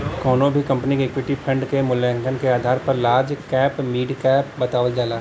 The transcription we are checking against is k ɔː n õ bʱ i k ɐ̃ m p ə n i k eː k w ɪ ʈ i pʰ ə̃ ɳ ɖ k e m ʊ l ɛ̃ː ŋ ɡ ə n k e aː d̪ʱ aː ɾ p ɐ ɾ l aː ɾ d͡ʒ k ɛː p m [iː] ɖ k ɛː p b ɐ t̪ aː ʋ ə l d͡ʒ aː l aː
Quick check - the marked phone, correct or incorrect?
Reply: correct